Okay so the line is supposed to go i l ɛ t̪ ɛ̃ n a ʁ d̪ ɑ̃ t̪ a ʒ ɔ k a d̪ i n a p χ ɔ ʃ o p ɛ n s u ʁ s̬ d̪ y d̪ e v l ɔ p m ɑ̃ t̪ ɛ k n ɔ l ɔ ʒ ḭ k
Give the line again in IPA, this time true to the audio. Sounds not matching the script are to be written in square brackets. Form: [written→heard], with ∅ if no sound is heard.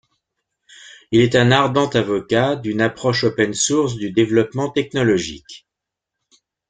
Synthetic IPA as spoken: i l ɛ t̪ ɛ̃ n a ʁ d̪ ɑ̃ t̪ a [ʒ→v] ɔ k a d̪ [i→y] n a p χ ɔ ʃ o p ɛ n s u ʁ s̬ d̪ y d̪ e v l ɔ p m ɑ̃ t̪ ɛ k n ɔ l ɔ ʒ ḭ k